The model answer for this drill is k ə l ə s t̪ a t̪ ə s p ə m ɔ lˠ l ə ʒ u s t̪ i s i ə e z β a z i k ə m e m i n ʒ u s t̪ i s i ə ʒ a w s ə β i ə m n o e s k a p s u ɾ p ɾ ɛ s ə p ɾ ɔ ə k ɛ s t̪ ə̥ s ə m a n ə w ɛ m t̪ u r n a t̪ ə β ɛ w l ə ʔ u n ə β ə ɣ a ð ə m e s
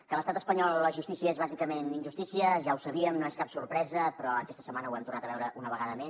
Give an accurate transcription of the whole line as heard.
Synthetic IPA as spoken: k ə l ə s t̪ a t̪ ə s p ə ɲ ɔ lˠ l ə ʒ u s t̪ i s i ə e z β a z i k ə m e n i n ʒ u s t̪ i s i ə ʒ a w s ə β i ə m n o e s k a p s u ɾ p ɾ ɛ z ə p ɾ ɔ ə k ɛ s t̪ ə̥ s ə m a n ə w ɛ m t̪ u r n a t̪ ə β ɛ w ɾ ə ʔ u n ə β ə ɣ a ð ə m e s